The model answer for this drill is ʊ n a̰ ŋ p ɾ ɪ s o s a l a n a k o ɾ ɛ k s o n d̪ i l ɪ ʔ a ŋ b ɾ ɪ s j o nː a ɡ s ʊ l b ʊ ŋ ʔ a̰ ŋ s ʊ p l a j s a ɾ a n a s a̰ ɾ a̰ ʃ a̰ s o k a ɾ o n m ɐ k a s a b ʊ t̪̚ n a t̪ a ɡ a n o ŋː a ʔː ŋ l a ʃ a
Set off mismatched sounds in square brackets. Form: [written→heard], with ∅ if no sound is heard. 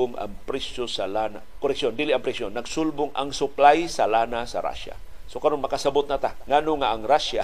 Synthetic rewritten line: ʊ [n→ŋ] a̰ ŋ p ɾ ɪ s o s a l a n a k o ɾ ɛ k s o n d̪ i l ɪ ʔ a ŋ [b→p] ɾ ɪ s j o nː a ɡ s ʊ l b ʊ ŋ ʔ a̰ ŋ s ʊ p l a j s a [ɾ→l] a n a s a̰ ɾ a̰ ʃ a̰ s o k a ɾ o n m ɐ k a s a b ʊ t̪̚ n a t̪ a [ɡ→ŋ] a n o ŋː a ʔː ŋ [l→ɾ] a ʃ a